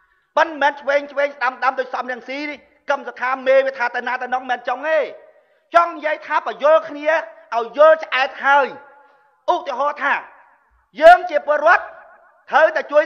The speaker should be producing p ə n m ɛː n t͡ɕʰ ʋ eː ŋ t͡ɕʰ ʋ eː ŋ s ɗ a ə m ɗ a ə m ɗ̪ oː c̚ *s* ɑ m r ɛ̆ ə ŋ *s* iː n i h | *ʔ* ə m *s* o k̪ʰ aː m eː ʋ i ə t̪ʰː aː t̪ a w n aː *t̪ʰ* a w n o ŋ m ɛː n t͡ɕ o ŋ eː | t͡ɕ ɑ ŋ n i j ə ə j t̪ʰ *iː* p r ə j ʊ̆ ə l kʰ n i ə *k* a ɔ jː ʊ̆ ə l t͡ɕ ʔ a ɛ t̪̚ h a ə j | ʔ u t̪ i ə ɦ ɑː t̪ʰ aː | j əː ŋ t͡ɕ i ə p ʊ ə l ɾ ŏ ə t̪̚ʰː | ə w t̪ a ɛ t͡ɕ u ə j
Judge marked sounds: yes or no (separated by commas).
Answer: yes, yes, no, yes, no, no, no